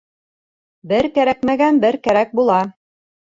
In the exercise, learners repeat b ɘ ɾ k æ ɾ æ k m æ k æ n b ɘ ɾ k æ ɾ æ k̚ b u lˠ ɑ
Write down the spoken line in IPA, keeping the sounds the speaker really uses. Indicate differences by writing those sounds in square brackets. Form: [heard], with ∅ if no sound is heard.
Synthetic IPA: b ɘ ɾ k æ ɾ æ k m æ [ɡ] æ n b ɘ ɾ k æ ɾ æ k̚ b u lˠ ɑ